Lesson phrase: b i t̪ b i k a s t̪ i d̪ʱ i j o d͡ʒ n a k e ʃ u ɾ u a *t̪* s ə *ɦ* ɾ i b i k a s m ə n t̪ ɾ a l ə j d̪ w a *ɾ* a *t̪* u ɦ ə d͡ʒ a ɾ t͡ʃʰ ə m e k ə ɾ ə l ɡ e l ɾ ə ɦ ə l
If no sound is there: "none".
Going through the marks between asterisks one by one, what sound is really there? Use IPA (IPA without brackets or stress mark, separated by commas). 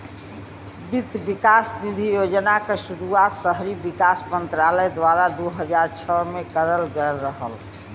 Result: t̪, ɦ, ɾ, d̪